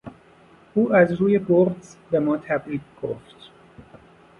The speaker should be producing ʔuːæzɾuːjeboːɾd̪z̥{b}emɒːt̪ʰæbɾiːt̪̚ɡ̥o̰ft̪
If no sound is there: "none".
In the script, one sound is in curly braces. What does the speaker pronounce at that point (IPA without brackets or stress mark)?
b